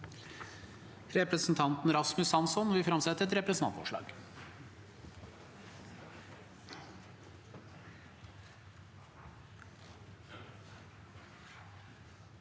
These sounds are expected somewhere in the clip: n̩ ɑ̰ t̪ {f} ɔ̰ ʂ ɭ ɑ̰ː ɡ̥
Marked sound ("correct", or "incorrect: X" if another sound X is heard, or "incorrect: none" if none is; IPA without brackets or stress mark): correct